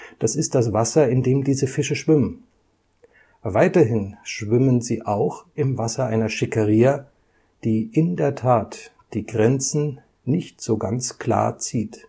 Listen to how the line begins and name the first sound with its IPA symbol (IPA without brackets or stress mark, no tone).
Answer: d̥